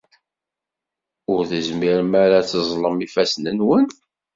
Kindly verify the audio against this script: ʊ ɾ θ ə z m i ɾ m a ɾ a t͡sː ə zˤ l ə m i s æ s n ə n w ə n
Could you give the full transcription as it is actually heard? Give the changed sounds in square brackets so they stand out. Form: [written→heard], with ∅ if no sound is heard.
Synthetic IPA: ʊ ɾ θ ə z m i ɾ m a ɾ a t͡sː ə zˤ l ə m i [s→f] æ s n ə n w ə n